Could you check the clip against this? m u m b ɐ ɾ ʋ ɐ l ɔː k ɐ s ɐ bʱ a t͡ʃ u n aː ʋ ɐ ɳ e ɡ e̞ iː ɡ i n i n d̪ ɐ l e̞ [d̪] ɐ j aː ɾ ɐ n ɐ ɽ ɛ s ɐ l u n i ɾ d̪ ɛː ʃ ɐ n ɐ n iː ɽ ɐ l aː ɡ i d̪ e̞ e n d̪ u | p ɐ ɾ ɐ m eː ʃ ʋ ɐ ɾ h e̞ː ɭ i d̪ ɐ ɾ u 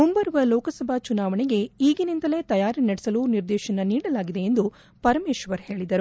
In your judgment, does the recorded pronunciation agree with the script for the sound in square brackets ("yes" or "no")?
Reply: no